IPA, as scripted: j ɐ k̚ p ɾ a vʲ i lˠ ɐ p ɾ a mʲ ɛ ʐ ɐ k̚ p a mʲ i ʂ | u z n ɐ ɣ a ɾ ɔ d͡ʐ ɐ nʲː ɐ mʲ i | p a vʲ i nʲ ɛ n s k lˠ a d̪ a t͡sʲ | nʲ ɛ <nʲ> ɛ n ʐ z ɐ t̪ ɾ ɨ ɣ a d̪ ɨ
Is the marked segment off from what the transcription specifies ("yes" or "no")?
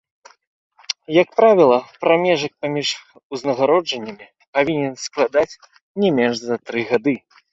yes